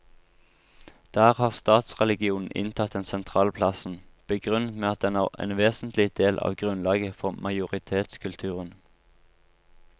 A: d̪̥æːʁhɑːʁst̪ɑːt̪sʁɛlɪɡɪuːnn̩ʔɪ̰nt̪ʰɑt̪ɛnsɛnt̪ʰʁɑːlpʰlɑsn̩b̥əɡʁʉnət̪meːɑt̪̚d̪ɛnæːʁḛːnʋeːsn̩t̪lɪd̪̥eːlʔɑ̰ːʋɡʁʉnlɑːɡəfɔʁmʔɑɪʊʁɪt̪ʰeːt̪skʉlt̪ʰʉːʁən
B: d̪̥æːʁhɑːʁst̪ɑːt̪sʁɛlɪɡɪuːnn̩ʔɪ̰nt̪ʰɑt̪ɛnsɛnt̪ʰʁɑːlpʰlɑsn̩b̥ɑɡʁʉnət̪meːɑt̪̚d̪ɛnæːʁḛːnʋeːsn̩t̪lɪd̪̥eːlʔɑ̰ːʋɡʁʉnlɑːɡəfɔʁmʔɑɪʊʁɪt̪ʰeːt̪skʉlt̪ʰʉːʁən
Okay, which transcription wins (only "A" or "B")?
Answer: A